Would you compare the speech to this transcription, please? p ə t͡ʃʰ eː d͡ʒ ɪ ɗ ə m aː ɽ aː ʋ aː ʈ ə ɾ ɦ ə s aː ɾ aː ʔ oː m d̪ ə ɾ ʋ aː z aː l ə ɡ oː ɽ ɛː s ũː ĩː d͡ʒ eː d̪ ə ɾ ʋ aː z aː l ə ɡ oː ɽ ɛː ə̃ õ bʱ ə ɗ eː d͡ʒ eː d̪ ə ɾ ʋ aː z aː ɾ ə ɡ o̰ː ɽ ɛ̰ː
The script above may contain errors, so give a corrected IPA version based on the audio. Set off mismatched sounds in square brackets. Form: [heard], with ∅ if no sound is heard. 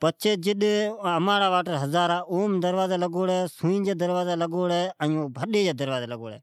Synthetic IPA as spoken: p ə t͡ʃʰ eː d͡ʒ ɪ ɗ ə m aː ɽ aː ʋ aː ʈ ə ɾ ɦ ə [z] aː ɾ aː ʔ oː m d̪ ə ɾ ʋ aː z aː l ə ɡ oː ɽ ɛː s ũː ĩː d͡ʒ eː d̪ ə ɾ ʋ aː z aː l ə ɡ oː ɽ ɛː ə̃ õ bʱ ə ɗ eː d͡ʒ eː d̪ ə ɾ ʋ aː z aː [l] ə ɡ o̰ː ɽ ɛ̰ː